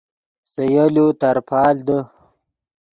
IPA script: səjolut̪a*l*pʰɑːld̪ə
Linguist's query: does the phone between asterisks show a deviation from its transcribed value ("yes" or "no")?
yes